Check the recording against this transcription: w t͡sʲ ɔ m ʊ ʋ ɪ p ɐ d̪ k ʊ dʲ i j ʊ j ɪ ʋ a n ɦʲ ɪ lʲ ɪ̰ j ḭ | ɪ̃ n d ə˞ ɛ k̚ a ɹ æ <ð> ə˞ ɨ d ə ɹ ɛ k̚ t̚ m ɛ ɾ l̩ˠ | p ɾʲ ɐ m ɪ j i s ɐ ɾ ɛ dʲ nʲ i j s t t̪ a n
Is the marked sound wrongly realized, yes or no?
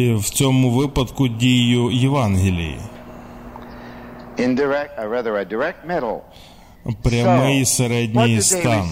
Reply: no